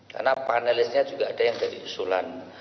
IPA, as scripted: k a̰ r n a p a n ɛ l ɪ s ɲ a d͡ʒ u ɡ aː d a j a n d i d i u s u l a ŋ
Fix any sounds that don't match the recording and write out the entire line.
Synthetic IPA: k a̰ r n a p a n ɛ l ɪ s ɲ a d͡ʒ u ɡ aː d a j a ŋ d a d i u s u l a n